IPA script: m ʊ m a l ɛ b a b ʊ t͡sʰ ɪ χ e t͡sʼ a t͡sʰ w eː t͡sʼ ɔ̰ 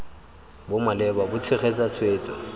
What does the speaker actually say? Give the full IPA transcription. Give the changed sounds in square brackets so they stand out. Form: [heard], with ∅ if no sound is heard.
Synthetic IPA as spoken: [b] ʊ m a l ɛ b a b ʊ t͡sʰ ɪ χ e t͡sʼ a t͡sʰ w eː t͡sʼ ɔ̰